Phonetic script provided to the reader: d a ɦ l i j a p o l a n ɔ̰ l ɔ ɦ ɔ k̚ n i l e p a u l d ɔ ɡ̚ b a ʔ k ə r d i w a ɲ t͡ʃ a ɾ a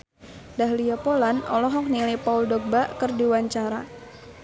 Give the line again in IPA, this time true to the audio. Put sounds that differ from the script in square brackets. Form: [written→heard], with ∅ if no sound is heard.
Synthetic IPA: d a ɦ l i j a p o l a n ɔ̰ l ɔ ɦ ɔ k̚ n i l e p a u l d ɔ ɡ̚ b a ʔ k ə r d i w a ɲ t͡ʃ a ɾ a